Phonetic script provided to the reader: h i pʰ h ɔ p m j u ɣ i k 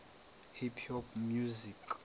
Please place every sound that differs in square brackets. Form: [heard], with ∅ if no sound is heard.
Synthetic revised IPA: h i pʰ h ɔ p m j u [z] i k